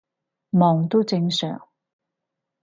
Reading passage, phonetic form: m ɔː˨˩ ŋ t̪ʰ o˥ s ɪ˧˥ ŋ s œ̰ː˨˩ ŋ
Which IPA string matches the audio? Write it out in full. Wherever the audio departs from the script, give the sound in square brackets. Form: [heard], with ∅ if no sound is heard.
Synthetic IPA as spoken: m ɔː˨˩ ŋ [t̪] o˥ [t͡s] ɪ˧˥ ŋ s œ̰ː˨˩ ŋ